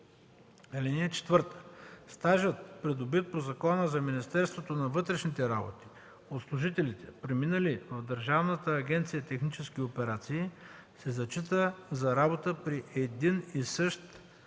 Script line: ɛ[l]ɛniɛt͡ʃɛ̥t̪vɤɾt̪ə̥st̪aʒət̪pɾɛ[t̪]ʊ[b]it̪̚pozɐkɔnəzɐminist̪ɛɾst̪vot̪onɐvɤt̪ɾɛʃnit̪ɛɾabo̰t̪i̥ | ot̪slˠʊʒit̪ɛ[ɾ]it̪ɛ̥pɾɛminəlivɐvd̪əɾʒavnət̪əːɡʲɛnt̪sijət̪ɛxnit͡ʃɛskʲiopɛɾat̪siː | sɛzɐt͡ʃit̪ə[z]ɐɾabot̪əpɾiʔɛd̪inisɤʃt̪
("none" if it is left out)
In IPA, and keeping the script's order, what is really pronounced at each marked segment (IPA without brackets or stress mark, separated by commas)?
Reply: l, d̪, b, l, z